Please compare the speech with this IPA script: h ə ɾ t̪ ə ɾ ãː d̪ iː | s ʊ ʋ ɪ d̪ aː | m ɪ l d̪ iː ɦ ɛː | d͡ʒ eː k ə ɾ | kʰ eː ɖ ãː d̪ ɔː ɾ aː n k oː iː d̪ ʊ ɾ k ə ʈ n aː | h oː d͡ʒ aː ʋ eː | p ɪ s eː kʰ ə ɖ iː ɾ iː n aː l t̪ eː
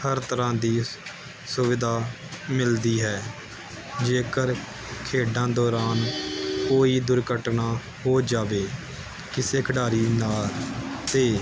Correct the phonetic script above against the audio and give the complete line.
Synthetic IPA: h ə ɾ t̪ ə ɾ ãː d̪ iː | s ʊ ʋ ɪ d̪ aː | m ɪ l d̪ iː ɦ ɛː | d͡ʒ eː k ə ɾ | kʰ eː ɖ ãː d̪ ɔː ɾ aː n k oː iː d̪ ʊ ɾ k ə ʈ n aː | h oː d͡ʒ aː ʋ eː | k ɪ s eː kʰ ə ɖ aː ɾ iː n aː l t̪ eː